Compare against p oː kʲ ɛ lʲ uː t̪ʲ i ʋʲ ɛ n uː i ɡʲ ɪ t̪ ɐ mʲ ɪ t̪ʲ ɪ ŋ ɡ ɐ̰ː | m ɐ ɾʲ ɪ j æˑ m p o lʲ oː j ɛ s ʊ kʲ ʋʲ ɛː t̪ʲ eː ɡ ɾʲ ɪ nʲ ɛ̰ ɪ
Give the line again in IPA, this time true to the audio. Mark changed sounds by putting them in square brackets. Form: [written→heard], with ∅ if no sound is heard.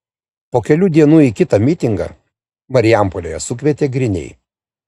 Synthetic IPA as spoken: p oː kʲ ɛ lʲ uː [t̪ʲ→d̪ʲ] i [ʋʲ→∅] ɛ n uː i [ɡʲ→kʲ] ɪ t̪ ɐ mʲ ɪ t̪ʲ ɪ ŋ ɡ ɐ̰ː | m ɐ ɾʲ ɪ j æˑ m p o lʲ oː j ɛ s ʊ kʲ ʋʲ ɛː t̪ʲ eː ɡ ɾʲ ɪ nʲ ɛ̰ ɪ